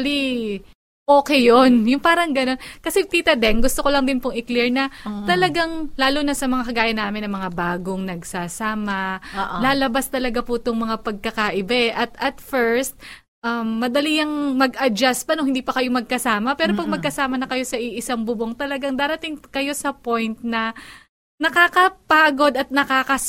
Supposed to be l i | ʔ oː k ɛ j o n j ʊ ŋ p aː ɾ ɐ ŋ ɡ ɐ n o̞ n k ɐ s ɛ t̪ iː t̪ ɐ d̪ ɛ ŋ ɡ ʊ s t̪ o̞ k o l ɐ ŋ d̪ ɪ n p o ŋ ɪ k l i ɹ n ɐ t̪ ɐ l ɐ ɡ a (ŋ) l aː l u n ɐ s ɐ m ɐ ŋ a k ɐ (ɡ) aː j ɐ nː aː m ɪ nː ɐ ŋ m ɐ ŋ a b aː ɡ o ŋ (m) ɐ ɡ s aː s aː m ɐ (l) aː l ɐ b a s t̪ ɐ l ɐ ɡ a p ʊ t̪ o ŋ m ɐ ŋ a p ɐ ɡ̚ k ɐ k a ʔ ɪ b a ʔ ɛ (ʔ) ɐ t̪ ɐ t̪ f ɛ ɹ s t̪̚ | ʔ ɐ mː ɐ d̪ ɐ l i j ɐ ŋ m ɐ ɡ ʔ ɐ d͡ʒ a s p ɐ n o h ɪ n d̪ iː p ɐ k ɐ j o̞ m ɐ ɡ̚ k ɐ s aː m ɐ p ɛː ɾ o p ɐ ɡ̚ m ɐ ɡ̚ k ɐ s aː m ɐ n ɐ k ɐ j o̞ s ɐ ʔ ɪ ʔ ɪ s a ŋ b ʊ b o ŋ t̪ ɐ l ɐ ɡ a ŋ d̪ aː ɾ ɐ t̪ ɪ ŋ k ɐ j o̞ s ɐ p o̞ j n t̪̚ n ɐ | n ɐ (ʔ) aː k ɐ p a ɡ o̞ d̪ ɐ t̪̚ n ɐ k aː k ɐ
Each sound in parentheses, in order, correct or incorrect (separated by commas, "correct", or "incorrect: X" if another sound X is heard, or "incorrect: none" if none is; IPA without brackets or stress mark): correct, correct, incorrect: n, correct, correct, incorrect: k